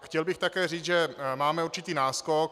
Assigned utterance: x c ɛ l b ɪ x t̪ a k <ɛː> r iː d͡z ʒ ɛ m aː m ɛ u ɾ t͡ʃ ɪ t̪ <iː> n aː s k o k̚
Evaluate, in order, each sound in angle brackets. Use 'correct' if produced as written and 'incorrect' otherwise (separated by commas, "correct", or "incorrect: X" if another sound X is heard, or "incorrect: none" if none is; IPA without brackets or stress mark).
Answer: correct, correct